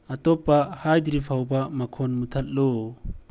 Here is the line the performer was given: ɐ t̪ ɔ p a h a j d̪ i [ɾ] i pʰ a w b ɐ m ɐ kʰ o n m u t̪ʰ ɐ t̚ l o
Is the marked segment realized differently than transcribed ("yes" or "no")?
no